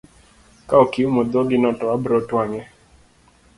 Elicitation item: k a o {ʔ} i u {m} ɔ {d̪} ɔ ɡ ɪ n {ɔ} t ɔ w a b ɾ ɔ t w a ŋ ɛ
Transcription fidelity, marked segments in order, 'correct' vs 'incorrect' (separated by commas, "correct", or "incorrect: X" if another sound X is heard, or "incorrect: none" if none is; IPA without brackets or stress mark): incorrect: k, correct, correct, correct